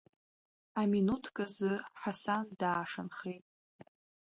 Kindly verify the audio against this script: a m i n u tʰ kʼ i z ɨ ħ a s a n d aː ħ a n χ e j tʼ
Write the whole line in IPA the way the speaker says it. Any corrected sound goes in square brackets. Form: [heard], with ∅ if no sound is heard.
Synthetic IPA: a m i n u tʰ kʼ [a] z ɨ ħ a s a n d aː [ʂ] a n χ e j tʼ

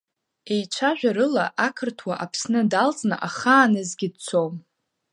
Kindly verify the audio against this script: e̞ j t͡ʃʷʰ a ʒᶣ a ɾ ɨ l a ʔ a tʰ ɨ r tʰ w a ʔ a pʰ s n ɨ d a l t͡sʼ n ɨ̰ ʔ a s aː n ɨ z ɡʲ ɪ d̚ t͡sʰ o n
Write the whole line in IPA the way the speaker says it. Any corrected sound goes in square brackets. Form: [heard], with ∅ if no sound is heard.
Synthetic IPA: e̞ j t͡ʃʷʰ a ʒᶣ a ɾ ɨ l a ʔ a [kʰ] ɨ r tʰ w a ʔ a pʰ s n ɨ d a l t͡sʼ n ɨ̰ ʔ a [χ] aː n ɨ z ɡʲ ɪ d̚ t͡sʰ o [m]

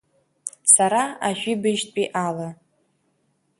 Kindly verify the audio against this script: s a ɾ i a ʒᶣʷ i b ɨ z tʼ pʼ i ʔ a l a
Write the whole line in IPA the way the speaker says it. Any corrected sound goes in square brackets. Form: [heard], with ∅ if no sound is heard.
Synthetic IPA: s a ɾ [a] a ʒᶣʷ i b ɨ [ʒ] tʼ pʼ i ʔ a l a

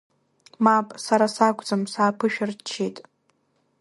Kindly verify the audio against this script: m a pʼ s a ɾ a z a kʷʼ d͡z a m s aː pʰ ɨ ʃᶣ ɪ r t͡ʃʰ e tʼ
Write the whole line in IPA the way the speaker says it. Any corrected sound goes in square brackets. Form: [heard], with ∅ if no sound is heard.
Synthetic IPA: m a pʼ s a ɾ a [s] a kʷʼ d͡z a m s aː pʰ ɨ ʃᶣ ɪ r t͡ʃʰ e tʼ

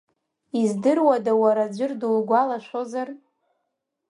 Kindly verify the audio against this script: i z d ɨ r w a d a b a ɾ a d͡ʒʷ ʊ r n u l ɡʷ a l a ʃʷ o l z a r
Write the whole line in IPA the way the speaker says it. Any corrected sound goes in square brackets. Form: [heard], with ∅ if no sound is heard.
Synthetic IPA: i z d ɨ r w a d a [w] a ɾ a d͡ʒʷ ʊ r [d] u l ɡʷ a l a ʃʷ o [∅] z a r

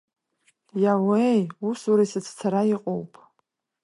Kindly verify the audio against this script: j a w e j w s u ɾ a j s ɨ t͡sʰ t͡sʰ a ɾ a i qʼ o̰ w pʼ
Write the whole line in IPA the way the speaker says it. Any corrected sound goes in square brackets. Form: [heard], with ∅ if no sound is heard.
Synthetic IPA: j a w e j [u] s u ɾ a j s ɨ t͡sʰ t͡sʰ a ɾ a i qʼ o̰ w pʼ

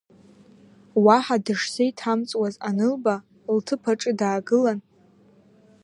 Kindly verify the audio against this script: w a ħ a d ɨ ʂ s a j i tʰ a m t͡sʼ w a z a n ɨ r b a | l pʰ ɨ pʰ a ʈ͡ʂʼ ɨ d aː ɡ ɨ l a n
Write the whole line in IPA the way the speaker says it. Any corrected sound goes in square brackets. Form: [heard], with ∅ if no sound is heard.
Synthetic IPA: w a ħ a d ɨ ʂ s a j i tʰ a m t͡sʼ w a z a n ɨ [l] b a | l [tʰ] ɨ pʰ a ʈ͡ʂʼ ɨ d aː ɡ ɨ l a n

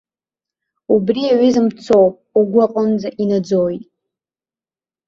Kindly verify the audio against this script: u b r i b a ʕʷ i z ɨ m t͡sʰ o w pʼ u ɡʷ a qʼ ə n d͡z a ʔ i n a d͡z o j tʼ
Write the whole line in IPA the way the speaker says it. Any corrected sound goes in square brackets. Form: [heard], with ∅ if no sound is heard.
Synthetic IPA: u b r i [∅] a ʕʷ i z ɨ m t͡sʰ o w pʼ u ɡʷ a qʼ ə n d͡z a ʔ i n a d͡z o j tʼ

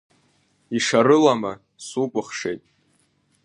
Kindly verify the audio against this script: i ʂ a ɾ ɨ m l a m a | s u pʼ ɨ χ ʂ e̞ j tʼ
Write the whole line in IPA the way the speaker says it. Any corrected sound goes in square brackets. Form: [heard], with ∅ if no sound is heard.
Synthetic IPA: i ʂ a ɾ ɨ [∅] l a m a | s u pʼ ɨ χ ʂ e̞ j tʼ

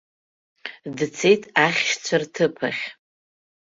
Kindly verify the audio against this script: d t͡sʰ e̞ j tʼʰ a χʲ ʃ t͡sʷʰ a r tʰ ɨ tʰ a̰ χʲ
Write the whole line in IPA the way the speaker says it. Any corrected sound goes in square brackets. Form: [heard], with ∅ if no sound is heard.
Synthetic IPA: d t͡sʰ e̞ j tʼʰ a χʲ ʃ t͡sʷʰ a r tʰ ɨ [pʰ] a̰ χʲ

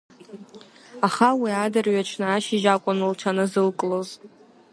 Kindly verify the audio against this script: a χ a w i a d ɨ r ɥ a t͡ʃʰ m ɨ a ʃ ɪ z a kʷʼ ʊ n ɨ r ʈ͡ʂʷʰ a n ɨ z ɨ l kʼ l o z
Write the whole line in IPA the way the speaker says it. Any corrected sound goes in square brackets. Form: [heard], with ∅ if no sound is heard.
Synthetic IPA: a χ a w i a d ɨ r ɥ a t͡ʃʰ [n] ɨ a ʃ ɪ [ʒ] a kʷʼ ʊ n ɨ [l] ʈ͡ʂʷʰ a n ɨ z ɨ l kʼ l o z

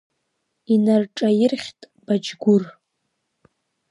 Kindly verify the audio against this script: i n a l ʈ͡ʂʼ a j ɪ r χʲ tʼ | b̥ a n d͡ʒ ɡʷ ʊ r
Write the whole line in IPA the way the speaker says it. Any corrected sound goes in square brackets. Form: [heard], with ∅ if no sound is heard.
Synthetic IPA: i n a [r] ʈ͡ʂʼ a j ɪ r χʲ tʼ | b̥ a [∅] d͡ʒ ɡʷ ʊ r

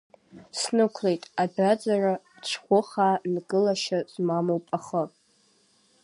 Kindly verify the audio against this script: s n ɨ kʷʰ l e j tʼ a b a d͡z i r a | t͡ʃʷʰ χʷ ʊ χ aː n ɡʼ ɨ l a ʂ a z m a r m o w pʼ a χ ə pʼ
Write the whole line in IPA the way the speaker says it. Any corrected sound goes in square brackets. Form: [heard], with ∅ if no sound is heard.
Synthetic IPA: s n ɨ kʷʰ l e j tʼ a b a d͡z [a] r a | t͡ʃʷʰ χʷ ʊ χ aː n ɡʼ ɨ l a [ʃ] a z m a [∅] m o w pʼ a χ ə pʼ

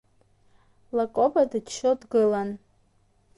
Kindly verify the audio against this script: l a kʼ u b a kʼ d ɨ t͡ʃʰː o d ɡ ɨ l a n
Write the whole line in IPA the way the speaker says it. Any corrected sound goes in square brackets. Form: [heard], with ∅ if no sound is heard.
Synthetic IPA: l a kʼ [o] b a [∅] d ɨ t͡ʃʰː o d ɡ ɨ l a n

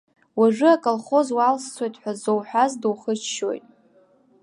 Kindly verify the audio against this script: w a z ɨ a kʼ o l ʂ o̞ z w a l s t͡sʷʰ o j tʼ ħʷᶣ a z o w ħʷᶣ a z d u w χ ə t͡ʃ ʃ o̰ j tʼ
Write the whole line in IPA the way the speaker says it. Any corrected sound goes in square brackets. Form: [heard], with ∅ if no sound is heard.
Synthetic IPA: w a [ʐ] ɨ a kʼ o l [χ] o̞ z w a l s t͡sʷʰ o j tʼ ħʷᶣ a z o w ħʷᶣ a z d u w χ ə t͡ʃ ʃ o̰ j tʼ

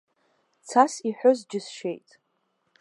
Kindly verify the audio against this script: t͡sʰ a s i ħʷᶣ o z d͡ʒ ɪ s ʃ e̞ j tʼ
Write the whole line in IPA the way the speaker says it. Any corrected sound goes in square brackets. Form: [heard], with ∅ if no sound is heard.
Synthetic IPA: t͡sʰ a s i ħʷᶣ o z d͡ʒ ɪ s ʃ e̞ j tʼ

